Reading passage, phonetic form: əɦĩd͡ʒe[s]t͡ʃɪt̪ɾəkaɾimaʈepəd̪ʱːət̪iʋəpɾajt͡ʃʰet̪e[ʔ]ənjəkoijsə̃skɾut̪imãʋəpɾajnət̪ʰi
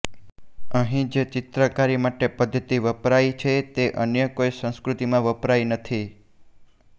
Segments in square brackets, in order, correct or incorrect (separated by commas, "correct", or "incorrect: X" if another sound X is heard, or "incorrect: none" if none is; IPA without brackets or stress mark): incorrect: none, correct